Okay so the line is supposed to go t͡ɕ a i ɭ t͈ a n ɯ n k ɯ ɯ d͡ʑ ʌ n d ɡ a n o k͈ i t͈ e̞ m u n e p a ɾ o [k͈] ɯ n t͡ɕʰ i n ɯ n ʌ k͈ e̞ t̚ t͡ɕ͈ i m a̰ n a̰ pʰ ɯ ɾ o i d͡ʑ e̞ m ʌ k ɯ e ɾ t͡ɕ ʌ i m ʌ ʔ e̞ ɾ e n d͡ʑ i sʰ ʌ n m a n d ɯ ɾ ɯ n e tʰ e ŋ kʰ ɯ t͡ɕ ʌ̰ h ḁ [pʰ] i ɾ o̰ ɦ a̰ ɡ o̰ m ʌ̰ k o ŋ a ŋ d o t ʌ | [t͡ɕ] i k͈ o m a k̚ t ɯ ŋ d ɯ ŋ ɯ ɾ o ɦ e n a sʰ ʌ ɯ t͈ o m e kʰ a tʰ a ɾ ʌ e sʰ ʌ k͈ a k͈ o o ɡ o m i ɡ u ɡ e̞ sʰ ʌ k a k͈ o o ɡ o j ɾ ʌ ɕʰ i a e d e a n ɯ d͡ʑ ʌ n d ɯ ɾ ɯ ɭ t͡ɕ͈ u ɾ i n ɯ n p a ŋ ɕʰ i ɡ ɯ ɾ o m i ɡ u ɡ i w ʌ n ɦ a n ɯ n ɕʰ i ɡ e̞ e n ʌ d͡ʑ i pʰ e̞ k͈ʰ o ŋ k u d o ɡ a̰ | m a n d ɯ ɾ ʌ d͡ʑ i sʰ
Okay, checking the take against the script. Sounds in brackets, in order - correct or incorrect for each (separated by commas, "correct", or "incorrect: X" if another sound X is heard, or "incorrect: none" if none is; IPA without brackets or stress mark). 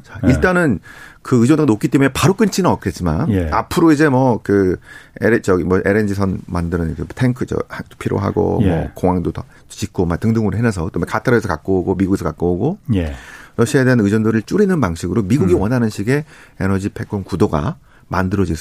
correct, correct, correct